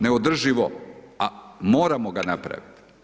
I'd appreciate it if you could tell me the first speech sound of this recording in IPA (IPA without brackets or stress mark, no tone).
n